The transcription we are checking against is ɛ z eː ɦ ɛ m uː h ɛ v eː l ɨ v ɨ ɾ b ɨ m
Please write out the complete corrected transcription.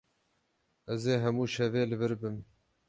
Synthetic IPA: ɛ z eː ɦ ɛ m uː ʃ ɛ v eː l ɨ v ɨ ɾ b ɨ m